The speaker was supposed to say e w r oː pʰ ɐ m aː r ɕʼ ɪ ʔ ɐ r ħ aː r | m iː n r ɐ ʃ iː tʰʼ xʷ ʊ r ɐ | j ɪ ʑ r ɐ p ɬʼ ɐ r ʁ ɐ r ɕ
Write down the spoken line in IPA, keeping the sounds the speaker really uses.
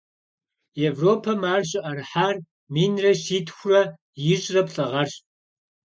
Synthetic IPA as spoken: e v r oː pʰ ɐ m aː r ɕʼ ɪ ʔ ɐ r ħ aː r | m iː n r ɐ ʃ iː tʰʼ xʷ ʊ r ɐ | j ɪ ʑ r ɐ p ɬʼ ɐ ʁ ɐ r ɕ

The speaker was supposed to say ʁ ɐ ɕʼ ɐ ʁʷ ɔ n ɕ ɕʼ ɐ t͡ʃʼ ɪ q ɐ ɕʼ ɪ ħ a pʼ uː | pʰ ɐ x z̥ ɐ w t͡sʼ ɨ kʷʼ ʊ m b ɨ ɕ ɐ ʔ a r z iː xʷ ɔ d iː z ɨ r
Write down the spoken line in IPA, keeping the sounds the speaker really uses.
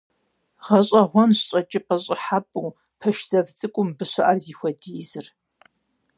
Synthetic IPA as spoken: ʁ ɐ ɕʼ ɐ ʁʷ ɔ n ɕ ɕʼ ɐ t͡ʃʼ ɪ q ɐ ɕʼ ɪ ħ a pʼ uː | pʰ ɐ ʃ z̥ ɐ v t͡sʼ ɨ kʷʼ ʊ m b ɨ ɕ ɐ ʔ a r z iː xʷ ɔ d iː z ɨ r

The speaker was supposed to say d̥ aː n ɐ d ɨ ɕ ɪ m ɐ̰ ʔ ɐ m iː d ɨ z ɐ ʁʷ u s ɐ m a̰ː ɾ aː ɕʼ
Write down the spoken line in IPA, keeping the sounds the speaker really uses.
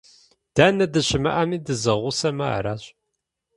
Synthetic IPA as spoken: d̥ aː n ɐ d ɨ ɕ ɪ m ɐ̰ ʔ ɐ m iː d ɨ z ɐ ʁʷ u s ɐ m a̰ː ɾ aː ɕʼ

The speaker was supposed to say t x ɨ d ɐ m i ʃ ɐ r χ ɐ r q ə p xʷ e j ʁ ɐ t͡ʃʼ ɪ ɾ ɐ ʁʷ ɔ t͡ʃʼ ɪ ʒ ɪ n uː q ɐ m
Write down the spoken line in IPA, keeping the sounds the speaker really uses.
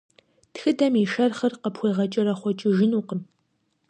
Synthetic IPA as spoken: t x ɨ d ɐ m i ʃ ɐ r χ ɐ r q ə p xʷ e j ʁ ɐ t͡ʃʼ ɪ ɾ ɐ χʷ ɔ t͡ʃʼ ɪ ʒ ɪ n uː q ə m

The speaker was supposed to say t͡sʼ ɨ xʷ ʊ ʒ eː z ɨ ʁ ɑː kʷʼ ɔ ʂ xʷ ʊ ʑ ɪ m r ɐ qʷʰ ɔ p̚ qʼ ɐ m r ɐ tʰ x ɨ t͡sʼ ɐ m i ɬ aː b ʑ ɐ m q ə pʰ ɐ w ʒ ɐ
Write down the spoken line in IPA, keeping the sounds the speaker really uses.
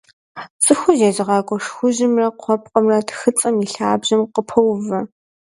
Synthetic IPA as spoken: t͡sʼ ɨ xʷ ʊ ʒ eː z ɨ ʁ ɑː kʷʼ ɔ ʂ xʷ ʊ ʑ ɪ m r ɐ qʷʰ ɔ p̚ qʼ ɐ m r ɐ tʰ x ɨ t͡sʼ ɐ m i ɬ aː b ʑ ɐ m q ə pʰ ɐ w v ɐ

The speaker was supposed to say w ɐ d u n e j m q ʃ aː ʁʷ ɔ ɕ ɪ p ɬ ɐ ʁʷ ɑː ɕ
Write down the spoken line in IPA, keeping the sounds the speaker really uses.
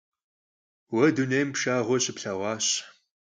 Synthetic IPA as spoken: w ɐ d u n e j m p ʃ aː ʁʷ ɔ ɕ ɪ p ɬ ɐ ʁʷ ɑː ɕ

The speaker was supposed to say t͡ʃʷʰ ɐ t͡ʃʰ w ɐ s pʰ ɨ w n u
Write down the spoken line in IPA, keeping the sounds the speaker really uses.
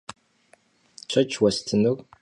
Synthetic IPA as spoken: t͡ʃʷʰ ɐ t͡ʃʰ w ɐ s tʰ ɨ n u

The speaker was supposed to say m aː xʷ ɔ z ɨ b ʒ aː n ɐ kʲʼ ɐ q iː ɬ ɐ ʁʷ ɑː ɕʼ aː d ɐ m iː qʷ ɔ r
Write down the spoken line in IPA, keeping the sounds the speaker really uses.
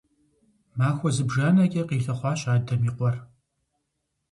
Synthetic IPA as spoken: m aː xʷ ɔ z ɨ b ʒ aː n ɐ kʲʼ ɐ q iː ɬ ɐ χʷ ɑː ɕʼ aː d ɐ m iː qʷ ɔ r

